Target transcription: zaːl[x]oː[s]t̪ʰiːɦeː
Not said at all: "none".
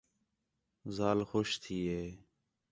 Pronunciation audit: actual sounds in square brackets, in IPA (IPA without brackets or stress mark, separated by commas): x, ʃ